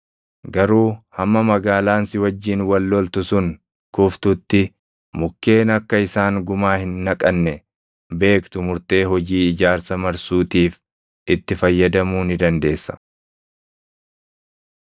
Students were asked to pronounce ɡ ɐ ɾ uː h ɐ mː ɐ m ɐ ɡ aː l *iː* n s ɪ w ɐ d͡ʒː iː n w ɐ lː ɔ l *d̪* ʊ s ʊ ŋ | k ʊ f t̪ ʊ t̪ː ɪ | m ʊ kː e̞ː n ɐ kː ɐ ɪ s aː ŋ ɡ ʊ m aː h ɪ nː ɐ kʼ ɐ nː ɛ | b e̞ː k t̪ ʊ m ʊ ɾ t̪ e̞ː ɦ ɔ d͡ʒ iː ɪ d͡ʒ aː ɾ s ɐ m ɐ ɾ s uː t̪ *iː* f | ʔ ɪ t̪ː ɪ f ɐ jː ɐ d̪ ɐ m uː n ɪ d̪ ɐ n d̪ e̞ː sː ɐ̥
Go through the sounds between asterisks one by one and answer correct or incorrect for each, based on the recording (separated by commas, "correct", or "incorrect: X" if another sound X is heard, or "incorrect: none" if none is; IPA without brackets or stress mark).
incorrect: aː, incorrect: t̪, correct